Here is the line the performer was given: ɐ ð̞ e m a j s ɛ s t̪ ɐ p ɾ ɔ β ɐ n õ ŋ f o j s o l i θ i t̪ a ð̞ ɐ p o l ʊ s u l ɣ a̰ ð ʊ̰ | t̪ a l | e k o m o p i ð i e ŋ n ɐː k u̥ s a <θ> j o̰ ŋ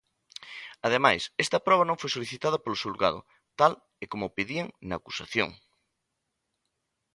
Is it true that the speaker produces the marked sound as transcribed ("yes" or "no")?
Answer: yes